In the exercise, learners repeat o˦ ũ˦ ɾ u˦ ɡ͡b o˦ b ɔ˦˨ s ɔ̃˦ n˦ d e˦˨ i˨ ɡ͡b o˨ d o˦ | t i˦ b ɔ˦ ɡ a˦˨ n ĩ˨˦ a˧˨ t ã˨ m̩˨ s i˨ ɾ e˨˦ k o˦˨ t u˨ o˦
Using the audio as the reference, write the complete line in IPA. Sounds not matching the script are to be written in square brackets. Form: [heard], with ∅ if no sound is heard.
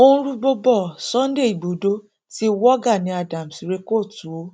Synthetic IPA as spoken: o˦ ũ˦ ɾ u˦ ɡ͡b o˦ b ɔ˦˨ s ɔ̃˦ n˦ d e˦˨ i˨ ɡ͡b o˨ d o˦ | t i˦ [w] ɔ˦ ɡ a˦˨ n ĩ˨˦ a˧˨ [d] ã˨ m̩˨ s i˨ ɾ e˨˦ k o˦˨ t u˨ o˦